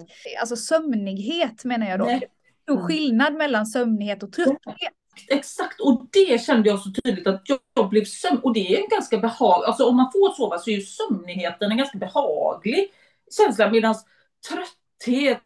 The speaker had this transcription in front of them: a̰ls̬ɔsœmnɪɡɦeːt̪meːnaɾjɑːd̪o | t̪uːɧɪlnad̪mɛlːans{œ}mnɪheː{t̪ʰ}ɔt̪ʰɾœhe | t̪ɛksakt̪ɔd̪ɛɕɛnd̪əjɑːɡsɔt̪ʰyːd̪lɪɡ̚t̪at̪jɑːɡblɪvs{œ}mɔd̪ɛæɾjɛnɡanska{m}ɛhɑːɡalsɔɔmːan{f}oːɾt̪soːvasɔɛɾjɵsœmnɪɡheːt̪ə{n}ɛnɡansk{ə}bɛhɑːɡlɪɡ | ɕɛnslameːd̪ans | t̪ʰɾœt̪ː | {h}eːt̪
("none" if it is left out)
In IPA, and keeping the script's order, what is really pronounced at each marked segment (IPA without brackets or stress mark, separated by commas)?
œ, t̪, œ, b, f, n, a, h